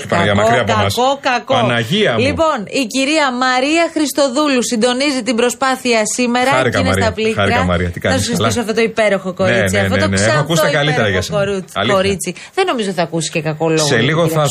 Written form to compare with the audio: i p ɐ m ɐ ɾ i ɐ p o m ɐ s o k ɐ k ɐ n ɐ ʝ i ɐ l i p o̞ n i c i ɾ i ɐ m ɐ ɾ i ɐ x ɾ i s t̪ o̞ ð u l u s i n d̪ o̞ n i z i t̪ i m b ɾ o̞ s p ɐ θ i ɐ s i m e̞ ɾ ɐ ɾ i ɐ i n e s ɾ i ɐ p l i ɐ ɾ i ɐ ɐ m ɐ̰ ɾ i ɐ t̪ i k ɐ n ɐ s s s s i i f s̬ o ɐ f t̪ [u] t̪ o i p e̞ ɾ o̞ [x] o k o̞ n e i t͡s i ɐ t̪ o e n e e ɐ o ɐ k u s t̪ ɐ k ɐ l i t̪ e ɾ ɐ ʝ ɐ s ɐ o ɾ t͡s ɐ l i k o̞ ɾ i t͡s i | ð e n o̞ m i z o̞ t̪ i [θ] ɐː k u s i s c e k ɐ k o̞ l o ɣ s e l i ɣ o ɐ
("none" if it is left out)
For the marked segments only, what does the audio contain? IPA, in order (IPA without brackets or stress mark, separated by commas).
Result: o, x, θ